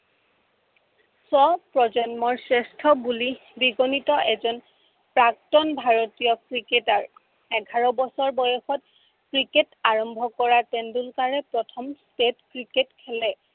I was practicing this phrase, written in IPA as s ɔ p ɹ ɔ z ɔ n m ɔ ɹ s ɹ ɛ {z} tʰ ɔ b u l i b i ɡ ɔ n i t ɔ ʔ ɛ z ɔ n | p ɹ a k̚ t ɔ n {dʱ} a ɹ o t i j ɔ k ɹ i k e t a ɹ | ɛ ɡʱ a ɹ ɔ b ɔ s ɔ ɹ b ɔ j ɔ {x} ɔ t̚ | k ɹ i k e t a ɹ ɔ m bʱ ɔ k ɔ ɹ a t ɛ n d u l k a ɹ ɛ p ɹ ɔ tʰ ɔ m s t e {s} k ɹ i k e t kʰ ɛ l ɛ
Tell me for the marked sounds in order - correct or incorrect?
incorrect, incorrect, correct, incorrect

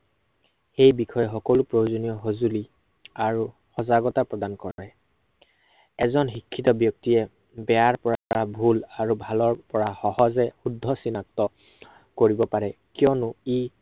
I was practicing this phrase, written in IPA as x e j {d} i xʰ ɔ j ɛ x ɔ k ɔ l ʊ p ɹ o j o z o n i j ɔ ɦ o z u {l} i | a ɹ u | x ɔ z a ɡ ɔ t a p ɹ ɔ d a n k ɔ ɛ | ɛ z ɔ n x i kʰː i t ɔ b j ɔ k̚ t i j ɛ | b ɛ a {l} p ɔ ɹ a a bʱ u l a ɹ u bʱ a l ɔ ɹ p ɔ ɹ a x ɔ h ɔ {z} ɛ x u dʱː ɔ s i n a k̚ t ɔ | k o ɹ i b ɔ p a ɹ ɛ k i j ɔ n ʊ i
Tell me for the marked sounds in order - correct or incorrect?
incorrect, correct, incorrect, correct

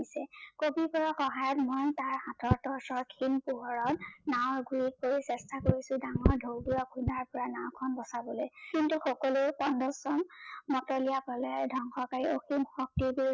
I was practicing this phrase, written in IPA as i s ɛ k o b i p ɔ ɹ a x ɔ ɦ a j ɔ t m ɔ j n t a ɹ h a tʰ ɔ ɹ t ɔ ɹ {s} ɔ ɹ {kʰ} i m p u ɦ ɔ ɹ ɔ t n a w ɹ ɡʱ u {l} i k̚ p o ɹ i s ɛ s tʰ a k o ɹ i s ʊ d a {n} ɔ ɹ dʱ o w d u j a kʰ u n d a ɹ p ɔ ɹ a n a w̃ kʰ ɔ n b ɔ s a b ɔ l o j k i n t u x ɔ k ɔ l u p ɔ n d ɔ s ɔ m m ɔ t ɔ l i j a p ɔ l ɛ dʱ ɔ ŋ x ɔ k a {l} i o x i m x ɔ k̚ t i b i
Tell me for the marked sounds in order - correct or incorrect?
correct, correct, incorrect, incorrect, incorrect

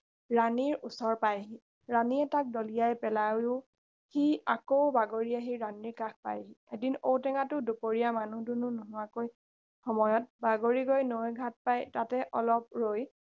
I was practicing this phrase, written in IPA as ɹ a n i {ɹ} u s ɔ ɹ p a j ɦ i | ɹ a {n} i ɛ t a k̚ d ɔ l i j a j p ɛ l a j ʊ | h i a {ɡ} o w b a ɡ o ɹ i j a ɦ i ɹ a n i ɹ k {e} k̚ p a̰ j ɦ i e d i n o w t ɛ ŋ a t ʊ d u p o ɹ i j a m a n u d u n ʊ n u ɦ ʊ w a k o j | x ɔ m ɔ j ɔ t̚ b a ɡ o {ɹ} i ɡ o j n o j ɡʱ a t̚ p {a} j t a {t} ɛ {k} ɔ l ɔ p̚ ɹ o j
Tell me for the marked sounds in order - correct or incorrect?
correct, correct, incorrect, incorrect, correct, correct, correct, incorrect

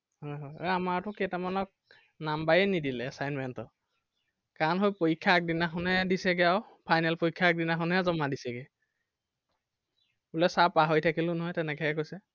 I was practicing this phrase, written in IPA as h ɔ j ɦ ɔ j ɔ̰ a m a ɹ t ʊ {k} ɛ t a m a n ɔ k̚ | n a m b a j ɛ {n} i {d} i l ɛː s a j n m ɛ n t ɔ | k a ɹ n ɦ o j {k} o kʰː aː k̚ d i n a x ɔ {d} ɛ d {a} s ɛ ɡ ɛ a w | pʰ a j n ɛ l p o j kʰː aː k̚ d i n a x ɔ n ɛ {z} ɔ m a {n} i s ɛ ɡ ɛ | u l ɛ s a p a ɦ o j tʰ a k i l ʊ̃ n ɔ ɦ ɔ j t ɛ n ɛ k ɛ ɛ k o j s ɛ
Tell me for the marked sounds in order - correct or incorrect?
correct, correct, correct, incorrect, incorrect, incorrect, correct, incorrect

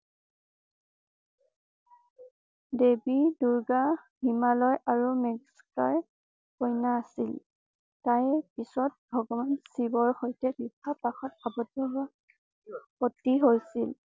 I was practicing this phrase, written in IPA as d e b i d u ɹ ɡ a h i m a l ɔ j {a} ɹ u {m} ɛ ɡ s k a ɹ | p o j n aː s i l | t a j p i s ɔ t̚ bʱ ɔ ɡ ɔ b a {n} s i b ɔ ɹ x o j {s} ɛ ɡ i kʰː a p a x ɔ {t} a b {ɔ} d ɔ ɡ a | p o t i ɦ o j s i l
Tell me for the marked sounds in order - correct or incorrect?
correct, correct, correct, incorrect, correct, correct

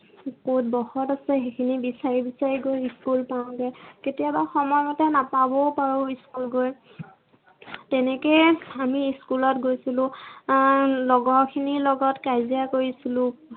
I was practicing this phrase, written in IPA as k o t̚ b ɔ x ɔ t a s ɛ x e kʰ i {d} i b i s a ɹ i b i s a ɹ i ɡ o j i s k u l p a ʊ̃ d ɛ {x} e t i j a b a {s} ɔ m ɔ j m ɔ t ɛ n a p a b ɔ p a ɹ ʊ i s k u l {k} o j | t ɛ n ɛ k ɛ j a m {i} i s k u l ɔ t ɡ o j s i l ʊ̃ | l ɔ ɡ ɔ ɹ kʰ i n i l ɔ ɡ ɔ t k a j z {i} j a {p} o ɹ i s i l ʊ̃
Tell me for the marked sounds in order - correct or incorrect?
incorrect, incorrect, incorrect, incorrect, correct, correct, incorrect

